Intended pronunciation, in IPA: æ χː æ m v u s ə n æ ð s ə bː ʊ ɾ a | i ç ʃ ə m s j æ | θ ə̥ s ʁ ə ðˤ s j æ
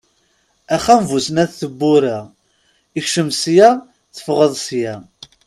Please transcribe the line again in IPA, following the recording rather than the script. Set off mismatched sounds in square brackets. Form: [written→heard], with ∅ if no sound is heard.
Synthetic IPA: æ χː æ m v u s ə n æ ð [s→θ] ə bː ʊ ɾ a | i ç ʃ ə m s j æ | θ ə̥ [s→f] ʁ ə ðˤ s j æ